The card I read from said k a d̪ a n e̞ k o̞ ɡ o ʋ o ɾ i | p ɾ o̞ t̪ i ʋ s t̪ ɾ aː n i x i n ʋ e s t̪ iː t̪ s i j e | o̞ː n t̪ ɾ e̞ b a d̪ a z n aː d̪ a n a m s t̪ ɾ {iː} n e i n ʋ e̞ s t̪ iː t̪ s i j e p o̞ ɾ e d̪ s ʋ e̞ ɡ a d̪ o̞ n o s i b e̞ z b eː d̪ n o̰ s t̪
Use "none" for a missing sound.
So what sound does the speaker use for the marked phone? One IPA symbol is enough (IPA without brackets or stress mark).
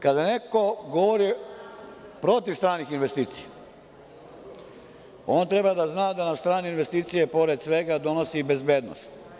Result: aː